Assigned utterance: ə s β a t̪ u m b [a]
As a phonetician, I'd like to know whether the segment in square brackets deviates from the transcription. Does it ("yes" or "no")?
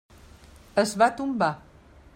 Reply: no